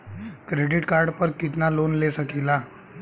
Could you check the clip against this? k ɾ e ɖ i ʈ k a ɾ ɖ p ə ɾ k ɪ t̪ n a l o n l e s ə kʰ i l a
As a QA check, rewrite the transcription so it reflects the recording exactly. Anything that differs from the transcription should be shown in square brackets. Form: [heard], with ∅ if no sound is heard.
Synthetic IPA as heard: k ɾ e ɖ i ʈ k a ɾ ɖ p ə ɾ k [i] t̪ n a l o n l e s ə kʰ i l a